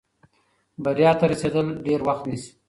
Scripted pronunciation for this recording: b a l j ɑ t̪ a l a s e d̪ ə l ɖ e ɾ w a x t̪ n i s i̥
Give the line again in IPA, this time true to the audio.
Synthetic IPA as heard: b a ɾ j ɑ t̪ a ɾ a s e d̪ ə l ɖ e ɾ w a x t̪ n i s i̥